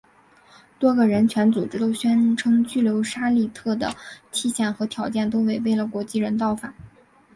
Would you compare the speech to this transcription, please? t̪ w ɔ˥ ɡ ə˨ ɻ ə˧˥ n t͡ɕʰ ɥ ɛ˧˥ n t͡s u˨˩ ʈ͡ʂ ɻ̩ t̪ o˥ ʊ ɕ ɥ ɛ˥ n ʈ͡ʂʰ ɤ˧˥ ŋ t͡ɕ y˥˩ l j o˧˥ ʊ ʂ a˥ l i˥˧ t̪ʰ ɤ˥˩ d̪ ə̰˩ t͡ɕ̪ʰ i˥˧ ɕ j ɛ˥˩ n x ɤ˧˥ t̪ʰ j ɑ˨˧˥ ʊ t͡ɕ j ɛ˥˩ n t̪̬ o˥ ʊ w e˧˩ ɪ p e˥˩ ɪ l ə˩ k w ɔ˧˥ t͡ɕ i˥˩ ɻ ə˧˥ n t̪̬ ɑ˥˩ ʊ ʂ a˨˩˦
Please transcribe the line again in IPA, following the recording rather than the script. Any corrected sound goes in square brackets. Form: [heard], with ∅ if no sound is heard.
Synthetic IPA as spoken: t̪ w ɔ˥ ɡ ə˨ ɻ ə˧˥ n t͡ɕʰ ɥ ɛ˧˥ n t͡s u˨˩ ʈ͡ʂ ɻ̩ t̪ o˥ ʊ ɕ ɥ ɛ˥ n ʈ͡ʂʰ [ɤ˥] ŋ t͡ɕ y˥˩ l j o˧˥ ʊ ʂ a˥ l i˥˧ t̪ʰ ɤ˥˩ d̪ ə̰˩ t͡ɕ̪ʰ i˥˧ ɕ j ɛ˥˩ n x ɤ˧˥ t̪ʰ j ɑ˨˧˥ ʊ t͡ɕ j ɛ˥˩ n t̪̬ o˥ ʊ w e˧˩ ɪ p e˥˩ ɪ l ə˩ k w ɔ˧˥ t͡ɕ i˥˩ ɻ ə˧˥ n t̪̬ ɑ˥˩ ʊ [f] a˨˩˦

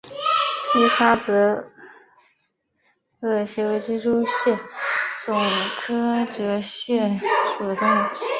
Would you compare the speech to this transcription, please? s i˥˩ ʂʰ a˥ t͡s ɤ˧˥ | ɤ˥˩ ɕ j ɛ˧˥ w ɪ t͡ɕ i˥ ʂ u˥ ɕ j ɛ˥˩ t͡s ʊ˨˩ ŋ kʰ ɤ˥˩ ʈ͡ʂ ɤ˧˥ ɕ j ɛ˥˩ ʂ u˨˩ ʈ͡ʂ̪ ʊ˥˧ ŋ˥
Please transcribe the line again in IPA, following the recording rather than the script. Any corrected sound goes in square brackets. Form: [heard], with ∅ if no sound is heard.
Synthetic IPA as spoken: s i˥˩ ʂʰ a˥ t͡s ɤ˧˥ | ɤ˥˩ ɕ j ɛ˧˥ w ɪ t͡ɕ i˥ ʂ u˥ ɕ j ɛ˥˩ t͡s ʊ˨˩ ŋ kʰ [ɤ˥] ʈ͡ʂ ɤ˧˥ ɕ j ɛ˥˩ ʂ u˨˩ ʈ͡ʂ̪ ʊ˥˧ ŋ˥

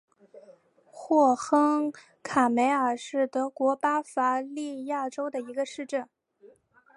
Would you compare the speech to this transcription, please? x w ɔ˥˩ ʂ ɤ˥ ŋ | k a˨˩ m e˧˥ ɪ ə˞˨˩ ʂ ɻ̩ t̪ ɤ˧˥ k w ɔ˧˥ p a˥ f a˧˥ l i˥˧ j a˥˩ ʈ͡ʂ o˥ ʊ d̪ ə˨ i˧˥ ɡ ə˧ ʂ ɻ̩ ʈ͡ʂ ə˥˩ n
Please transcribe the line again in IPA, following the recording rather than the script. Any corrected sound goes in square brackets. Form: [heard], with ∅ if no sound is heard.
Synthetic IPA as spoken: x w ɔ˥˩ [x] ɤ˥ ŋ | [kʰ] a˨˩ m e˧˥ ɪ ə˞˨˩ ʂ ɻ̩ t̪ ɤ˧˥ k w ɔ˧˥ p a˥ f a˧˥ l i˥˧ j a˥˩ ʈ͡ʂ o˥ ʊ d̪ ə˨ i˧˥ ɡ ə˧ ʂ ɻ̩ ʈ͡ʂ ə˥˩ n

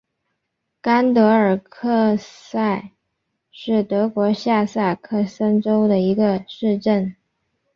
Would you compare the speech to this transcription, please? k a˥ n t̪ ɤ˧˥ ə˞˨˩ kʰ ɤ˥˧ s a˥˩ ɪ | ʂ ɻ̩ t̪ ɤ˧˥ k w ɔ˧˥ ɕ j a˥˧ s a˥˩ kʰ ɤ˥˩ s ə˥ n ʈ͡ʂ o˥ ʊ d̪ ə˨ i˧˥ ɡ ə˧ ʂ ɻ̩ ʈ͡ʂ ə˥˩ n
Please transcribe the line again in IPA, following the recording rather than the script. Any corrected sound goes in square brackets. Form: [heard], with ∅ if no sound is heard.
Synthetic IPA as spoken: k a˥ n t̪ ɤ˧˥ ə˞˨˩ kʰ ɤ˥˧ s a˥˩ ɪ | ʂ ɻ̩ t̪ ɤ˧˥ k w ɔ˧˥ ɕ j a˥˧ s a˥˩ kʰ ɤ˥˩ s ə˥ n ʈ͡ʂ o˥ ʊ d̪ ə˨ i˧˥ ɡ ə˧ ʂ ɻ̩ ʈ͡ʂ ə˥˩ n

